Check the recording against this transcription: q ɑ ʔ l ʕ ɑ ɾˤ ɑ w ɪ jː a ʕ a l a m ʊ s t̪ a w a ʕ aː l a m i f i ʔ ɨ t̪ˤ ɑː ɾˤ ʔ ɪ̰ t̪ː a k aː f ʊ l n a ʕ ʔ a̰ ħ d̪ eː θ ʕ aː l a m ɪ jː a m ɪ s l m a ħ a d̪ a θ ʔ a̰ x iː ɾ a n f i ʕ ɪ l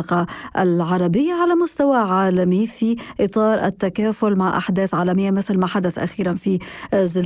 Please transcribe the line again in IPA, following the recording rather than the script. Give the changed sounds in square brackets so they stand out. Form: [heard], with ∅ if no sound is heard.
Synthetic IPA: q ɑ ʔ l ʕ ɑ ɾˤ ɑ [b] ɪ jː a ʕ a l a m ʊ s t̪ a w a ʕ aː l a m i f i ʔ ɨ t̪ˤ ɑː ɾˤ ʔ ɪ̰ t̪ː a k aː f ʊ l [m] a ʕ ʔ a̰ ħ d̪ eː θ ʕ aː l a m ɪ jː a m ɪ [θ] l m a ħ a d̪ a θ ʔ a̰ x iː ɾ a n f i [z] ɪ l